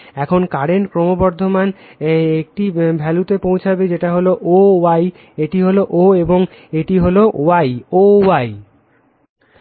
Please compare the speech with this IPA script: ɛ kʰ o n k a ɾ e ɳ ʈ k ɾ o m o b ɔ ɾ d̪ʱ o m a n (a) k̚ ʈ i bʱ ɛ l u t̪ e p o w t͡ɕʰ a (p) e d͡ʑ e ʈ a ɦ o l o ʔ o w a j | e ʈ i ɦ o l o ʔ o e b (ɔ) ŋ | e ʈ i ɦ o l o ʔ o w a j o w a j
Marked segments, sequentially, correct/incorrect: incorrect, incorrect, incorrect

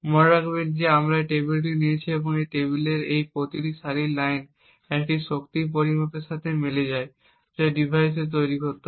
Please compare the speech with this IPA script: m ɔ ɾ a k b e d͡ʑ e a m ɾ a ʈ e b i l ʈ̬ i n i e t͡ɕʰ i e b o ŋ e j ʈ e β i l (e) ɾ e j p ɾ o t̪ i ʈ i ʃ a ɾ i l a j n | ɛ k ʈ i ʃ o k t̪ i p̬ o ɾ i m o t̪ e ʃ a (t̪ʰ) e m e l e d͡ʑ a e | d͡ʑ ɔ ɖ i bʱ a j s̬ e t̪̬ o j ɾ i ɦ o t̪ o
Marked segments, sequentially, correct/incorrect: correct, correct

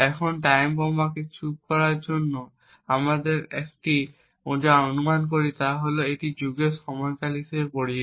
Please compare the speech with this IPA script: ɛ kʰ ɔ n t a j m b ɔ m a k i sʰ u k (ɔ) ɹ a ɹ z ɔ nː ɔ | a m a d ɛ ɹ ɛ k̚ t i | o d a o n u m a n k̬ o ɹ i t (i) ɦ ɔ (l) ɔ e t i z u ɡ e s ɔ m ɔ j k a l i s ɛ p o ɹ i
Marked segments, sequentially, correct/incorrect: correct, incorrect, correct

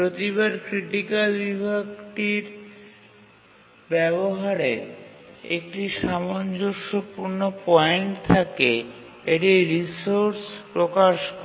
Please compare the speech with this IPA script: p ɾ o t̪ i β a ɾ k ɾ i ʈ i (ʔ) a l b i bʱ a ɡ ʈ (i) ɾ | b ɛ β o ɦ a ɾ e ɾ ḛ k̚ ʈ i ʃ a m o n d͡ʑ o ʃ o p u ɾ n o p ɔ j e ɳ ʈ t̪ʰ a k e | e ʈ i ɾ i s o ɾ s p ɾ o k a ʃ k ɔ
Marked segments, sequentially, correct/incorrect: incorrect, correct

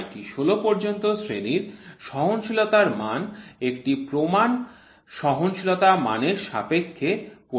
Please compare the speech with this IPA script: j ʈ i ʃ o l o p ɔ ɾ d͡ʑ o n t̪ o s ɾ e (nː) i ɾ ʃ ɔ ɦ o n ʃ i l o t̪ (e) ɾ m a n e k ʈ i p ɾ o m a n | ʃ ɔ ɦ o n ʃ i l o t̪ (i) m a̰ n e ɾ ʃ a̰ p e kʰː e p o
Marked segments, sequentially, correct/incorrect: incorrect, incorrect, incorrect

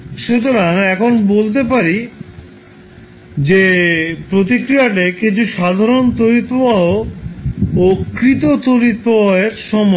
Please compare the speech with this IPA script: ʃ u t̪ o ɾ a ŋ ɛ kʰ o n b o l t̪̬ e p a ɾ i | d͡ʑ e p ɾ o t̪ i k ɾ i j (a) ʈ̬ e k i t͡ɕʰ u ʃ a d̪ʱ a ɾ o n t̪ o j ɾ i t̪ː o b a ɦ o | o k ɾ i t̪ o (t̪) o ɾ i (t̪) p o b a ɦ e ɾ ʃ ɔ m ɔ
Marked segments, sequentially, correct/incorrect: correct, correct, correct

